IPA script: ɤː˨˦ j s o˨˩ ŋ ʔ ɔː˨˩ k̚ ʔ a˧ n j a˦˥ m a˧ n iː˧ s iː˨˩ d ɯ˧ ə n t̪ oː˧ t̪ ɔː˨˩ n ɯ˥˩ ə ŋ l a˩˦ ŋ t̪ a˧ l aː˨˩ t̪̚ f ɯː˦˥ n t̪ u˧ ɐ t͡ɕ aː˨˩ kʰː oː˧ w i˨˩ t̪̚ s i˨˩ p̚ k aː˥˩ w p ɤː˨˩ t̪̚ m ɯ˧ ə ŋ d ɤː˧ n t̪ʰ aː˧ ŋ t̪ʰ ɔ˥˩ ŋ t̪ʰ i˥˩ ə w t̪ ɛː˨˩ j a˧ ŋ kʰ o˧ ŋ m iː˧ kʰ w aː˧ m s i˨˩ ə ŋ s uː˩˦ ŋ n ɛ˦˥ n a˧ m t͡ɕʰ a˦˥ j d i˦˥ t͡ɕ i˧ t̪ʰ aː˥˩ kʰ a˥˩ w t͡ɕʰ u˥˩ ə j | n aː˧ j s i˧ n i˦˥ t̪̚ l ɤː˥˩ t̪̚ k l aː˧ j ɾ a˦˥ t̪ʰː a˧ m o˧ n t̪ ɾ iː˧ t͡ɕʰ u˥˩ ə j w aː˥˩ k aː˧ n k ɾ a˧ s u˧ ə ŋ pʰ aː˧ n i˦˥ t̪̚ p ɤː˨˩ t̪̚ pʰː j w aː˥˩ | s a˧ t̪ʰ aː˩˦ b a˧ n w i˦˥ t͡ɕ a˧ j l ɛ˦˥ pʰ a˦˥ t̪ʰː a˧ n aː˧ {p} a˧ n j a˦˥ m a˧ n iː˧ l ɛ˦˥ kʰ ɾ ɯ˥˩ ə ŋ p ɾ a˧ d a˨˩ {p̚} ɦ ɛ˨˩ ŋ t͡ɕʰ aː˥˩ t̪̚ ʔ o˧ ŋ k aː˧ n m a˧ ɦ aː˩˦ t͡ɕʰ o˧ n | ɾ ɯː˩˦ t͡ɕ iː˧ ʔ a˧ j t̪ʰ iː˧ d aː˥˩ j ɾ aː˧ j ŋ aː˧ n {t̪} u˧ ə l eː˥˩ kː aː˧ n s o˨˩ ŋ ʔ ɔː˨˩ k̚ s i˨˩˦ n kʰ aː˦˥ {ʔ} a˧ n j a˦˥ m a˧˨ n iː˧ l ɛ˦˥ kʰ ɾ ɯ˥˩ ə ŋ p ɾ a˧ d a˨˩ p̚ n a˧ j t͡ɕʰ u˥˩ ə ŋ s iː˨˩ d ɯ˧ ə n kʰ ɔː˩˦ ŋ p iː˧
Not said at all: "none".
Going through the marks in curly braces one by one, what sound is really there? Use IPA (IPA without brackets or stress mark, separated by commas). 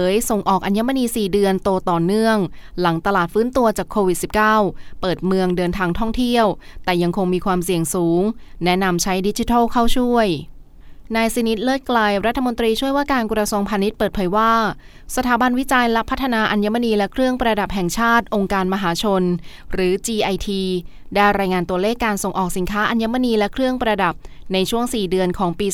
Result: ʔ, p̚, t̪, ʔ